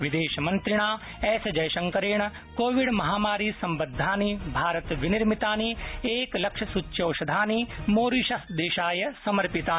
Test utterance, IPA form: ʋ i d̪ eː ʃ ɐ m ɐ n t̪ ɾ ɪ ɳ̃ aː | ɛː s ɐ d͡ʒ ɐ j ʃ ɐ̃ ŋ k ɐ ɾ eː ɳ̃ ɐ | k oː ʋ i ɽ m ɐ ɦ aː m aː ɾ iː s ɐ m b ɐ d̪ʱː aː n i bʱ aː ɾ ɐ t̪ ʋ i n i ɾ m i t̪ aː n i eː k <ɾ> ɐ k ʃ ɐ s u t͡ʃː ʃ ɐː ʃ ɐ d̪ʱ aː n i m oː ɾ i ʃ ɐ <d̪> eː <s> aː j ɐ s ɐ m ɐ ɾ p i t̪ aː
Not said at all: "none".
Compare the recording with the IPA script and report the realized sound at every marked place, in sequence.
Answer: l, d̪, ʃ

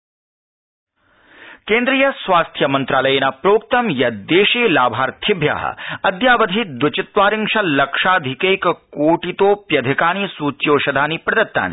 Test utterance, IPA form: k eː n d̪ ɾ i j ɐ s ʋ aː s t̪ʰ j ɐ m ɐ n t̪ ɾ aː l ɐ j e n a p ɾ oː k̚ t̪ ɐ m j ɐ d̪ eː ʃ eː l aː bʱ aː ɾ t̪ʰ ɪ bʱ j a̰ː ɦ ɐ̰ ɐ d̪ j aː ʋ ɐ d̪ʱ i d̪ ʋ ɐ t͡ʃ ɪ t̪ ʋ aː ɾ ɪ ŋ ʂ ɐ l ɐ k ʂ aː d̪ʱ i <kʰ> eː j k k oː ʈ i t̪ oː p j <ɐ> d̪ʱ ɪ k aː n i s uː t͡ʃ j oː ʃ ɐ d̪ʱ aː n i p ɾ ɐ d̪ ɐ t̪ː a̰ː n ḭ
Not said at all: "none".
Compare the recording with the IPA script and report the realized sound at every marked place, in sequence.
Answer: k, ɐ

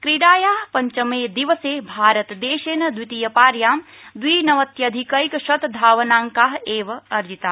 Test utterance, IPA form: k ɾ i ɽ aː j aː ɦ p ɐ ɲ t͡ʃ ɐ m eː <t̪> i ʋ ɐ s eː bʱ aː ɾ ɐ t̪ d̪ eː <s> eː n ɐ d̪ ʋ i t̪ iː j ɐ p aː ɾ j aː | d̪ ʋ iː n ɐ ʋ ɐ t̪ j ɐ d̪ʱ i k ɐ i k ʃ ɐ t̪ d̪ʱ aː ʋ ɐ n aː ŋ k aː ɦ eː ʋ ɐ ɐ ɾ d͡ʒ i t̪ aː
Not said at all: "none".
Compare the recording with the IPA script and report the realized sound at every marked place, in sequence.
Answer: d̪, ʃ

